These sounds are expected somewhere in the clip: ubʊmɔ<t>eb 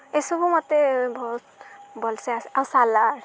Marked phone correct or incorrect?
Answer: correct